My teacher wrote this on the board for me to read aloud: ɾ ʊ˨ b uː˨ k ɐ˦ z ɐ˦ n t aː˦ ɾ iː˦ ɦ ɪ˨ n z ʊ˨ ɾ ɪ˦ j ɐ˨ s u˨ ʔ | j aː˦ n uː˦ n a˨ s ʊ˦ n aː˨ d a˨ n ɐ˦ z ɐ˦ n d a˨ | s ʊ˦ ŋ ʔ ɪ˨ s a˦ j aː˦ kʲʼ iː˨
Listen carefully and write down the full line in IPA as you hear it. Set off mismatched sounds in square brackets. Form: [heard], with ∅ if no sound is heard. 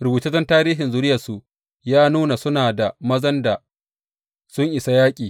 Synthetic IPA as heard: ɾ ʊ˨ b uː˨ [t] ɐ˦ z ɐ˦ n t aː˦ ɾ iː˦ ɦ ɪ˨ n z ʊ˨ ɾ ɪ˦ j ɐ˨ s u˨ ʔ | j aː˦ n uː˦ n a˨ s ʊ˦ n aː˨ d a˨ [m] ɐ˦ z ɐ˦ n d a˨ | s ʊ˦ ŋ ʔ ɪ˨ s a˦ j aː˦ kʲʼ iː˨